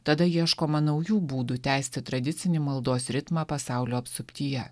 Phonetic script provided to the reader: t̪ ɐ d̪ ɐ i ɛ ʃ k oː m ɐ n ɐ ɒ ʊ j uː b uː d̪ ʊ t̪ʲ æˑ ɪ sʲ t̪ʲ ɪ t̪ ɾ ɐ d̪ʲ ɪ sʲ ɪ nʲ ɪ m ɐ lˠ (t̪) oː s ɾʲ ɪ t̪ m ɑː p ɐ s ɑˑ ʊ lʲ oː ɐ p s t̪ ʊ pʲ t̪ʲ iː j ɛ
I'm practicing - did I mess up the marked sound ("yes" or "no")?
yes